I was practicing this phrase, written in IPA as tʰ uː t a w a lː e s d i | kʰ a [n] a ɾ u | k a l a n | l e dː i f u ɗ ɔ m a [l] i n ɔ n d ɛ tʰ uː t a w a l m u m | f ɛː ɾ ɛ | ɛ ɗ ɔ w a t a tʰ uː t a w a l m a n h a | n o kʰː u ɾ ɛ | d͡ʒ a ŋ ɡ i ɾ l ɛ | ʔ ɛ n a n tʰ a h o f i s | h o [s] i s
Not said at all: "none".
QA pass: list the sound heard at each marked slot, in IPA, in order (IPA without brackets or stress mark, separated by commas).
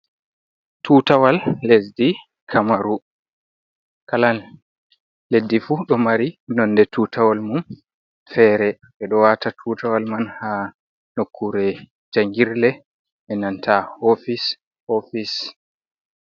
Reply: m, ɾ, f